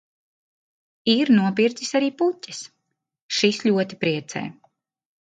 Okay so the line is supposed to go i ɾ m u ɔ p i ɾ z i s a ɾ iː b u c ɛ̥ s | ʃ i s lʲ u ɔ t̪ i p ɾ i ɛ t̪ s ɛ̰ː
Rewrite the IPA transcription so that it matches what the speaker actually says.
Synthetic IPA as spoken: i ɾ n u ɔ p i ɾ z i s a ɾ iː p u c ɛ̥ s | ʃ i s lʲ u ɔ t̪ i p ɾ i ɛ t̪ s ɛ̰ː